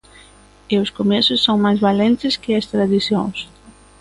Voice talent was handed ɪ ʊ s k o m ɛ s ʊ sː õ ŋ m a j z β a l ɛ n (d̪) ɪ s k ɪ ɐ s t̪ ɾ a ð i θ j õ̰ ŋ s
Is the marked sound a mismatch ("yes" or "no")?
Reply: yes